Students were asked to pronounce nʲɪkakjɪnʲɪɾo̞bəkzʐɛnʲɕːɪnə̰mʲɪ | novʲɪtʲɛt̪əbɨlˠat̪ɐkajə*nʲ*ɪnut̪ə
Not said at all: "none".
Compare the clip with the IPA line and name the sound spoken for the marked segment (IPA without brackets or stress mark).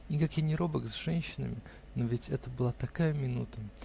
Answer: mʲ